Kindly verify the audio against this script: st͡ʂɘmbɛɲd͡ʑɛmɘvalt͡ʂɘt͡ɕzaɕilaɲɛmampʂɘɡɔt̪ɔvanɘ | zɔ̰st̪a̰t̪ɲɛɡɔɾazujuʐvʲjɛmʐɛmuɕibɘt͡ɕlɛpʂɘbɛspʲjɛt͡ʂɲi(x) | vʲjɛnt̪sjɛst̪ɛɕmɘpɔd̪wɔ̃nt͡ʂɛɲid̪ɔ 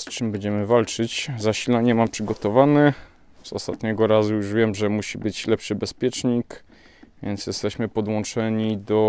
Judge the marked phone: incorrect: k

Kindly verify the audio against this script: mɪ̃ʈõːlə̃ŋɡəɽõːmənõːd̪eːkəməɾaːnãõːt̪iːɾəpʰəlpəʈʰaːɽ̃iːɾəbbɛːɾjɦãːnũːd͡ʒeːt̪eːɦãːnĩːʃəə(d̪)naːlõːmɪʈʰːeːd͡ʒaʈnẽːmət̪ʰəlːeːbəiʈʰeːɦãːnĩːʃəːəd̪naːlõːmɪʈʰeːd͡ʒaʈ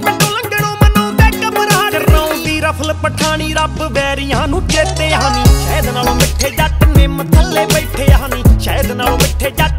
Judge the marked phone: correct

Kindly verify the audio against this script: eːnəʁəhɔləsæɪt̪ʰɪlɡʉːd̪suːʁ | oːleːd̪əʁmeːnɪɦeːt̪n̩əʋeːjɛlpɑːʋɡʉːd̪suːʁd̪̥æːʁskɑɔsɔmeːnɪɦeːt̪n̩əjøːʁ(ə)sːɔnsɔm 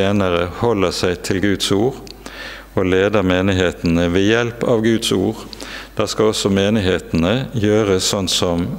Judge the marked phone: correct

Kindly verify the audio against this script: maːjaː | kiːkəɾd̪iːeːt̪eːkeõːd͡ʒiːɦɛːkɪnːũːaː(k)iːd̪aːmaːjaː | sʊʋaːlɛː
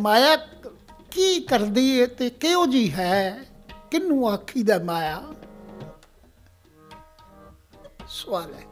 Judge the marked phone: incorrect: kʰ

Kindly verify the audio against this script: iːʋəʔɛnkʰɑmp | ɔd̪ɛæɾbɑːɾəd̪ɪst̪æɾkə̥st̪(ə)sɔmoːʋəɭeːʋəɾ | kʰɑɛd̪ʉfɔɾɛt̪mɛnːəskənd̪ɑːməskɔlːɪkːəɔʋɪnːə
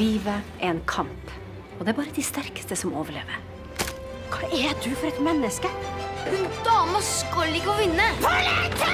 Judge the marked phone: correct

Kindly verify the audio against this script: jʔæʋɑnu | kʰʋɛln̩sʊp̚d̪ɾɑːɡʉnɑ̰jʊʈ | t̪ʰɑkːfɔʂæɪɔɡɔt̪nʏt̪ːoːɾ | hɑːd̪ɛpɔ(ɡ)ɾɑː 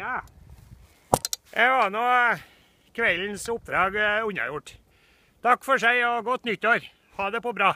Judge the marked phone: incorrect: b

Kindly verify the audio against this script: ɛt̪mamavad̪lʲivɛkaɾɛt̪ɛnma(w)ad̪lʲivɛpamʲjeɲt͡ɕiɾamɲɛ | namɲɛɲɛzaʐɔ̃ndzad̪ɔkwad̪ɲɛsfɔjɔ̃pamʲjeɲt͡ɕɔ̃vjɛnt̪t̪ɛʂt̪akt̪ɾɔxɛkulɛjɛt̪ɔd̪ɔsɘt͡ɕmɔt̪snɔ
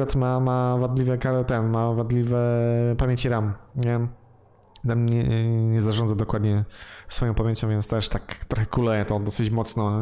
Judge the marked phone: incorrect: v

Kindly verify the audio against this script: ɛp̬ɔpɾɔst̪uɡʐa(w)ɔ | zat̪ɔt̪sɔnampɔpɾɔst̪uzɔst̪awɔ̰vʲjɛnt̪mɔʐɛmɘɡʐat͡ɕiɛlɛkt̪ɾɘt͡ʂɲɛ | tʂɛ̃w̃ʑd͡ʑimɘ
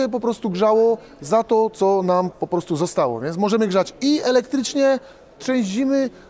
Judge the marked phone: correct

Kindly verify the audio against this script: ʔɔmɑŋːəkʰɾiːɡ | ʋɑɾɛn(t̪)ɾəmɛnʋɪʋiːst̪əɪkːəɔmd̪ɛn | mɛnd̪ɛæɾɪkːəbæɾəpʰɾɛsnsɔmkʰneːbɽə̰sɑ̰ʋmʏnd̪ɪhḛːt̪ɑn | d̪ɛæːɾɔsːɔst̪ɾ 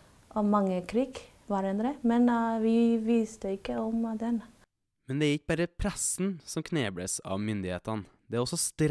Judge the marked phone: incorrect: d̪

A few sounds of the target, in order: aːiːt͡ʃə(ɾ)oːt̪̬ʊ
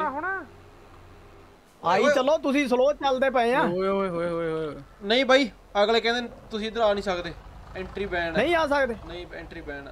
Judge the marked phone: incorrect: l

